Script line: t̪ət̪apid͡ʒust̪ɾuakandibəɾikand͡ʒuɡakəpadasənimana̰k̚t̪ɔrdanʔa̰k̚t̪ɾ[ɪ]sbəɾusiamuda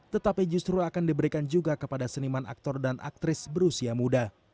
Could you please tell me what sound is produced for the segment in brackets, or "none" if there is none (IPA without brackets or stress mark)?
ɪ